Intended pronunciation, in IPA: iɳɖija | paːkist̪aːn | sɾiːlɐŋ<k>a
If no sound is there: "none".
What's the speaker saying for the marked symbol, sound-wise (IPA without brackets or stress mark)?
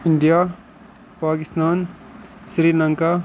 k